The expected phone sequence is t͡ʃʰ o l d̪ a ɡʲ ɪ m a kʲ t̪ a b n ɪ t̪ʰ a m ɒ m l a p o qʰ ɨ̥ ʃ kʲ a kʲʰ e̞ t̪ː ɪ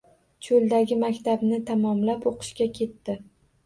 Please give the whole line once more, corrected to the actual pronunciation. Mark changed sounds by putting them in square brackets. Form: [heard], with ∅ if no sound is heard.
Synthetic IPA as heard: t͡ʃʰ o l d̪ a ɡʲ ɪ m a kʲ t̪ a b n ɪ t̪ʰ a m ɒ m l a p o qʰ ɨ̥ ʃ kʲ a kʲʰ e̞ t̪ː ɪ